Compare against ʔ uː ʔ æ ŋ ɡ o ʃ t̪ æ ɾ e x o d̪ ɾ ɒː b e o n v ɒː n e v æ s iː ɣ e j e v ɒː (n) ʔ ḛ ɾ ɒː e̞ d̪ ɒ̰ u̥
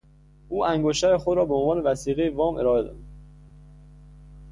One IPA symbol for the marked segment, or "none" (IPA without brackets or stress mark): m